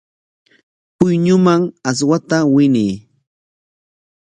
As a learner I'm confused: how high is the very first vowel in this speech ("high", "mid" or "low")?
high